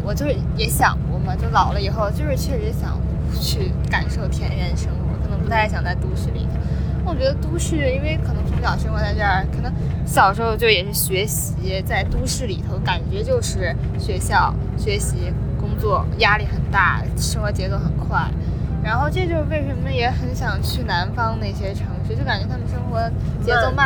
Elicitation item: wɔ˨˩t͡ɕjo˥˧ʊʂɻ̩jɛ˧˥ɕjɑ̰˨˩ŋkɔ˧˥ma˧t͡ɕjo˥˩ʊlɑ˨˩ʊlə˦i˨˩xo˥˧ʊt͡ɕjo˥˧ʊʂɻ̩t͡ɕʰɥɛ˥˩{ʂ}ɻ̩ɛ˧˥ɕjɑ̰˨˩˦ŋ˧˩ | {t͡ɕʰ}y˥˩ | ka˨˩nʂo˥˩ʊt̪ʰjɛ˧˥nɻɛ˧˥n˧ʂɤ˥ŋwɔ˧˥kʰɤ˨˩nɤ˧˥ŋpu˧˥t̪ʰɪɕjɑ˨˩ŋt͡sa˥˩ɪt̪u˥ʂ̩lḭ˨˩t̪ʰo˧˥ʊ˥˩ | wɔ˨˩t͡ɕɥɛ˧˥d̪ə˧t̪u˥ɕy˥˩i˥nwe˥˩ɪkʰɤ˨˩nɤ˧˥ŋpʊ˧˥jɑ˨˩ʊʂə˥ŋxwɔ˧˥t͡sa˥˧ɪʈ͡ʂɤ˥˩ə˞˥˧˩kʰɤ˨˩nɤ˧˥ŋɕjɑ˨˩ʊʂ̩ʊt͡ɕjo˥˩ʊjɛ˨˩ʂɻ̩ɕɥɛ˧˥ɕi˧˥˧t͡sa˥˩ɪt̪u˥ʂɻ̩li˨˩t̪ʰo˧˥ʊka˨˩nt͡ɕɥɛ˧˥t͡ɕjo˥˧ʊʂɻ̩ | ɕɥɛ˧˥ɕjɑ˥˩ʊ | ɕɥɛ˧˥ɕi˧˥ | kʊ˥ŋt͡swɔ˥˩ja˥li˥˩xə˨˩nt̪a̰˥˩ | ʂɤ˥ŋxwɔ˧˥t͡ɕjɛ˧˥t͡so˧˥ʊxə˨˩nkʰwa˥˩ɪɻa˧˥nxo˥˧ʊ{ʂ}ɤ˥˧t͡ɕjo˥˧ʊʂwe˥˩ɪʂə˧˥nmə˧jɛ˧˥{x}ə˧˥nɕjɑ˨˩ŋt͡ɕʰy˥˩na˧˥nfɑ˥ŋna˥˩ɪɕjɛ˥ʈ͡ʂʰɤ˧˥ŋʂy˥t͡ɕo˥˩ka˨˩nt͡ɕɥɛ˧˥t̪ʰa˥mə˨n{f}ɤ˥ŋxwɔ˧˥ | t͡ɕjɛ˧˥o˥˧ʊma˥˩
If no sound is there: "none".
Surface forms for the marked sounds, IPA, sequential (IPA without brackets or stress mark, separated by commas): ʂ, t͡ɕʰ, ʈ͡ʂ, x, ʂ